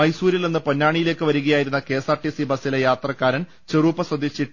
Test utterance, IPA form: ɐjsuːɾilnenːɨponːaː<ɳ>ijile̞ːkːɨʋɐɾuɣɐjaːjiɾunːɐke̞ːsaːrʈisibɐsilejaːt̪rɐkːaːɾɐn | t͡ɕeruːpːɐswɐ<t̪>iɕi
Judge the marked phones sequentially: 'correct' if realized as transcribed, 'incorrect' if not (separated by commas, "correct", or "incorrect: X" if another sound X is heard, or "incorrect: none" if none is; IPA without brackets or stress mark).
correct, incorrect: d̪